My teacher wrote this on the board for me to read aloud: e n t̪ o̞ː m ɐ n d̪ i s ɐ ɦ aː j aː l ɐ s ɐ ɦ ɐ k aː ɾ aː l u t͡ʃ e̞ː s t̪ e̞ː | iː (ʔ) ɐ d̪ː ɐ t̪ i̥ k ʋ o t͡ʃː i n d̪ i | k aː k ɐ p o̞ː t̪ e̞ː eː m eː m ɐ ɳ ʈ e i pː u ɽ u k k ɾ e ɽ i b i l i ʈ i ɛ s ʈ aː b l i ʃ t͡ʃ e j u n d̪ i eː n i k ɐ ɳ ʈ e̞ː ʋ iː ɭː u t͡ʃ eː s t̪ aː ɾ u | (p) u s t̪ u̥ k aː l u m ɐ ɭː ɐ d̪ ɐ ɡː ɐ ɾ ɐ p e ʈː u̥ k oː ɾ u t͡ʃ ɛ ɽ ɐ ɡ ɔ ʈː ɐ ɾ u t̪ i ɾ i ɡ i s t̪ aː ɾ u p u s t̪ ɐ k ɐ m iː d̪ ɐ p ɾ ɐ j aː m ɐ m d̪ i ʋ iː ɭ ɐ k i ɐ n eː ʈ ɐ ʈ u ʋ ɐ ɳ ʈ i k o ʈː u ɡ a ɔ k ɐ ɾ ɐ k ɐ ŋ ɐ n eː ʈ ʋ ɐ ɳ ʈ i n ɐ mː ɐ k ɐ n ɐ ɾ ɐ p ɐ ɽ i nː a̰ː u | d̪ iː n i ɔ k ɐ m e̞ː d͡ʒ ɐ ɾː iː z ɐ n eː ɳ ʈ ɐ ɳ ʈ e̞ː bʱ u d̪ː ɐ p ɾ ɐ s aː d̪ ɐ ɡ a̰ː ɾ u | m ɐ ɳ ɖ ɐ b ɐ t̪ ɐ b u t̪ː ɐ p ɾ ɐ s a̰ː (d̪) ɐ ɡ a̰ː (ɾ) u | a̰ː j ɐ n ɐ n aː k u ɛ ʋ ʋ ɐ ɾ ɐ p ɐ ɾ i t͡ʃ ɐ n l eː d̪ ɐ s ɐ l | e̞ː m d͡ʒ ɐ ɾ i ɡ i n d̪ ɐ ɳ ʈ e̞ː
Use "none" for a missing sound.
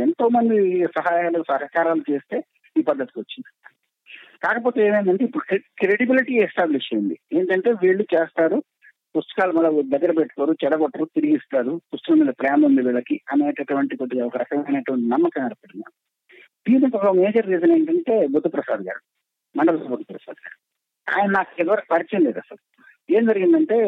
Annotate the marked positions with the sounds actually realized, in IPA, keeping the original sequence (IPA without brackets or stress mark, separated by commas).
p, p, d̪, ɾ